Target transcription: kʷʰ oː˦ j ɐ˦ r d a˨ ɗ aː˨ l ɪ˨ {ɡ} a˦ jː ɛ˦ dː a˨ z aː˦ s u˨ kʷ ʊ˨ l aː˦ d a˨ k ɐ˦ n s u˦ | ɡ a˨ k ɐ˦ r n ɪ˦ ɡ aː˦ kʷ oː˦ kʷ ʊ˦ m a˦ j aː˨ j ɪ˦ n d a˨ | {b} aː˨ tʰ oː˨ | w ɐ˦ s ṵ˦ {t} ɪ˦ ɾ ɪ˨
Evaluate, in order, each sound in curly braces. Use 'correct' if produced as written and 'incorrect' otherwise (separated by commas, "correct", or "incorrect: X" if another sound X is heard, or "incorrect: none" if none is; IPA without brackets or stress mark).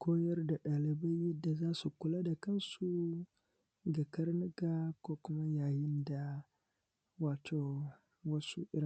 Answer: incorrect: b, incorrect: w, incorrect: ʔ